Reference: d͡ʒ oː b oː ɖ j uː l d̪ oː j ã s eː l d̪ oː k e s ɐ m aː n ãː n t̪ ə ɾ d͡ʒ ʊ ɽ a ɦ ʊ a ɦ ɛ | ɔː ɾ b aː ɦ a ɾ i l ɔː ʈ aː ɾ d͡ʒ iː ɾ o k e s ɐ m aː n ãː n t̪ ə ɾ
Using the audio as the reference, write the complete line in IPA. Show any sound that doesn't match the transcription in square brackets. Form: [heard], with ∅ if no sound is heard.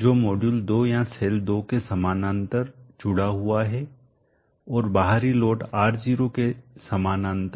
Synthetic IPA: d͡ʒ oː [m] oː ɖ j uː l d̪ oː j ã s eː l d̪ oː k e s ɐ m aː n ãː n t̪ ə ɾ d͡ʒ ʊ ɽ a ɦ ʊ a ɦ ɛ | ɔː ɾ b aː ɦ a ɾ i l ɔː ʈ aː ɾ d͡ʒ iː ɾ o k e s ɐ m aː n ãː n t̪ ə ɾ